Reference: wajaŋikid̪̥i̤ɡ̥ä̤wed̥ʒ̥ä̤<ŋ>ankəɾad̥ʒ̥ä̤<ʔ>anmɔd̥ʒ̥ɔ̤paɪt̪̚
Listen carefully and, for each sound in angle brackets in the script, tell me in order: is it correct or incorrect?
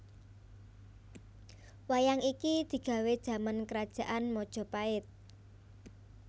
incorrect, correct

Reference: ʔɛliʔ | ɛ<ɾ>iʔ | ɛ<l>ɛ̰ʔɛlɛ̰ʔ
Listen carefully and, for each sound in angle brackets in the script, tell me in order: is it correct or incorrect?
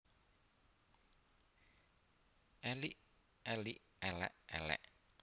incorrect, correct

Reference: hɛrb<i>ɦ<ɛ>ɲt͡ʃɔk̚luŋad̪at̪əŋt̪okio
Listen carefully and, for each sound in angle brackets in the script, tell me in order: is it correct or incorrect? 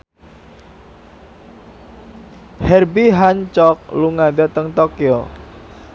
correct, incorrect

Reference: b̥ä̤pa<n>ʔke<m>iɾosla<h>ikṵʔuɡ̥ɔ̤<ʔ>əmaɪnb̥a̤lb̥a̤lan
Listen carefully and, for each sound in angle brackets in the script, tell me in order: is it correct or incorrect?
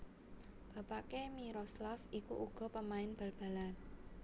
incorrect, correct, incorrect, incorrect

